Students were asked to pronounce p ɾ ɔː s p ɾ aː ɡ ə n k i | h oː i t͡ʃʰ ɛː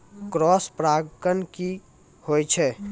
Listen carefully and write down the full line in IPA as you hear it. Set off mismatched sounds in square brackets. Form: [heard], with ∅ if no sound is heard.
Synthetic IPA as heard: [k] ɾ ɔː s p ɾ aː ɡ ə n k i | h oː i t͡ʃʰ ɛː